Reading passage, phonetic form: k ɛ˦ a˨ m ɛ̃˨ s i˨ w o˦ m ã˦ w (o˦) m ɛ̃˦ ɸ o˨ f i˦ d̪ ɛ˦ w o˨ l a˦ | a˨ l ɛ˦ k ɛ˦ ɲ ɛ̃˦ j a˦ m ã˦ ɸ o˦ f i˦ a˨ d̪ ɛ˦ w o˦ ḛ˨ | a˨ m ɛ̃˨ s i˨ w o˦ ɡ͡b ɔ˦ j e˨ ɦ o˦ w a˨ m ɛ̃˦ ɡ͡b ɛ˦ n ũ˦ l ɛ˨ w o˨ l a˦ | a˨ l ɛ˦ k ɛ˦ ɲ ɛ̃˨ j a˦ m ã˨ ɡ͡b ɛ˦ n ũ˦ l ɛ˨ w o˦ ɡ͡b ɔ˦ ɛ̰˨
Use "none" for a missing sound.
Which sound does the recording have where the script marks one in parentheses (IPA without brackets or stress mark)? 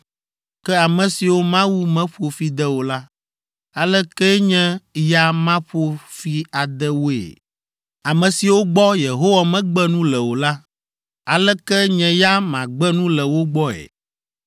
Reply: u˦